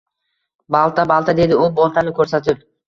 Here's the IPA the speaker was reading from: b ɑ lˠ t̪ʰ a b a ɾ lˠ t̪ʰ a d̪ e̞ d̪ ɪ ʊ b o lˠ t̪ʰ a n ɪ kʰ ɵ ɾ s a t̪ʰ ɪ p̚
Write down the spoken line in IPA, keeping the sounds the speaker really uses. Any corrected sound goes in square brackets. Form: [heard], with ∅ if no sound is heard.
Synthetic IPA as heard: b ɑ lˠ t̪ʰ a b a [∅] lˠ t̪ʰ a d̪ e̞ d̪ ɪ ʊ b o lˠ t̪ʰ a n ɪ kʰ ɵ ɾ s a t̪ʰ ɪ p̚